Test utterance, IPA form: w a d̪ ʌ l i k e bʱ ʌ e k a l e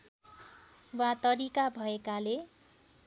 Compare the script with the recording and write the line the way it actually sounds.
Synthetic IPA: w a t̪ ʌ ɾ i k a bʱ ʌ e k a l e